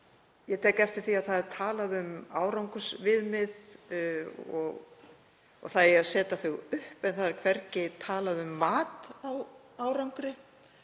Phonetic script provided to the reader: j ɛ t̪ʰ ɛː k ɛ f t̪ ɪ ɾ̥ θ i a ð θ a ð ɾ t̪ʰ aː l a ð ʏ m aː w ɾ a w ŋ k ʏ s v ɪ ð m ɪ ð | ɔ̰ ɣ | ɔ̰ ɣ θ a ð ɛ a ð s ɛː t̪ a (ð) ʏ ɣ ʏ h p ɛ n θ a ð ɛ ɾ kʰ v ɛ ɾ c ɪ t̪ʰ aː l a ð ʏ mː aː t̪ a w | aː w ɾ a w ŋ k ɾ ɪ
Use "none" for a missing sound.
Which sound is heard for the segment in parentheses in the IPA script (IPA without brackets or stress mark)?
θ